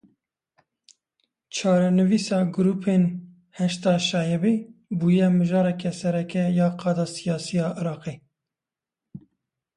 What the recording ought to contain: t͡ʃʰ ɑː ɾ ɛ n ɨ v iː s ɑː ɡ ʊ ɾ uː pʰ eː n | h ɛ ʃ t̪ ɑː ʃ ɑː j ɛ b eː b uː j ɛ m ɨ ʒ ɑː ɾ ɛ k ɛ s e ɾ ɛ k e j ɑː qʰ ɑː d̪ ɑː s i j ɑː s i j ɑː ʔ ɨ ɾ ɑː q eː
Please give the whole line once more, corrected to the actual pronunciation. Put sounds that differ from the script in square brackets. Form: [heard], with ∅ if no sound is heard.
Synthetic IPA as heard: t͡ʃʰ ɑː ɾ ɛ n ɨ v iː s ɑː ɡ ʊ ɾ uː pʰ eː n | h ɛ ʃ t̪ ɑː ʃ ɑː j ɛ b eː b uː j ɛ m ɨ ʒ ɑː ɾ ɛ k ɛ s [ɛ] ɾ ɛ k [ɛ] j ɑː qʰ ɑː d̪ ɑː s i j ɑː s i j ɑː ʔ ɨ ɾ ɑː q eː